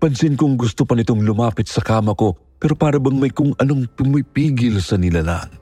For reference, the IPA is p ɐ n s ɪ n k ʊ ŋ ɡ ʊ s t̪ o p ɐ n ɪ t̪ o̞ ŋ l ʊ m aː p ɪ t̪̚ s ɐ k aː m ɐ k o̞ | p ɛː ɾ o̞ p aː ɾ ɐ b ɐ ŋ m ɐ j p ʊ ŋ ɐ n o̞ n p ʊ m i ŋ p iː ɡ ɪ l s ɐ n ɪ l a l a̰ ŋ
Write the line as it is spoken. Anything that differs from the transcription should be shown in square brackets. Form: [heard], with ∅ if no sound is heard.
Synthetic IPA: p ɐ n s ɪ n k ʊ ŋ ɡ ʊ s t̪ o p ɐ n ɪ t̪ o̞ ŋ l ʊ m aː p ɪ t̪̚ s ɐ k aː m ɐ k o̞ | p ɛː ɾ o̞ p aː ɾ ɐ b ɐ ŋ m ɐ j [k] ʊ ŋ ɐ n o̞ [ŋ] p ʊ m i [∅] p iː ɡ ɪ l s ɐ n ɪ l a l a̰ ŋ